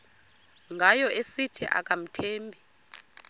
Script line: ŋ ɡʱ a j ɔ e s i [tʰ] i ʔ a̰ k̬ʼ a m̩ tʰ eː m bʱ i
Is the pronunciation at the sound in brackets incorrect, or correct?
correct